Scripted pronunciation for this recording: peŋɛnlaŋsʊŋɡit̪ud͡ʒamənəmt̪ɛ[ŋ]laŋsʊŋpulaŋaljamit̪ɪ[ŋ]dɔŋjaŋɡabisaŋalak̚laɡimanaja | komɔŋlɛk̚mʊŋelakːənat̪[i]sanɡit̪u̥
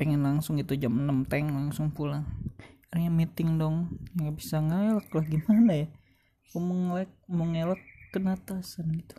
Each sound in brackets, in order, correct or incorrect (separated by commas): correct, correct, incorrect